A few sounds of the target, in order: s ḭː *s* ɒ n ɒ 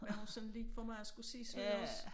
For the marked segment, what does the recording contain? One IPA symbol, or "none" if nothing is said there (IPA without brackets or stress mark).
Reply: s